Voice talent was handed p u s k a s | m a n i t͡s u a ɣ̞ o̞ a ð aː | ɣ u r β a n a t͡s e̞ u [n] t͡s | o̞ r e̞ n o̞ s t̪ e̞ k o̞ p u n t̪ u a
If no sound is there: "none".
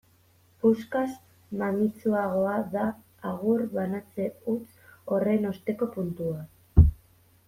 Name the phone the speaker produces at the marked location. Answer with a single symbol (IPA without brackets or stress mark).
none